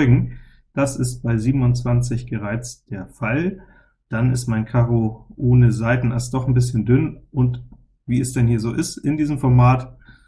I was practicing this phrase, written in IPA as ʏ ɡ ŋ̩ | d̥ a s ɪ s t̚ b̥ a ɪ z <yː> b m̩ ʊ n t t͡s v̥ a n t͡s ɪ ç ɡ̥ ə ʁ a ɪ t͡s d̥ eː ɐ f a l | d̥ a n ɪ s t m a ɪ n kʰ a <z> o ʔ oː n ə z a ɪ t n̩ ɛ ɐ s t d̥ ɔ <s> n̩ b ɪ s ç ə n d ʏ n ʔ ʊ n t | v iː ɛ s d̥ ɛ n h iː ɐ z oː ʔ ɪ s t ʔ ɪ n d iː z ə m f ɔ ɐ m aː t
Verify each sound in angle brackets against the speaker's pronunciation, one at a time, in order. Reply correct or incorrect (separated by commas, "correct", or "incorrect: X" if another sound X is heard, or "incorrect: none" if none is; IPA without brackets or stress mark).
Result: incorrect: iː, incorrect: ʁ, incorrect: χ